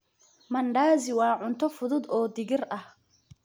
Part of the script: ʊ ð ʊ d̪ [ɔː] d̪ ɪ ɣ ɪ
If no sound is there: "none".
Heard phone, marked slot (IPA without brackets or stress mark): ɔː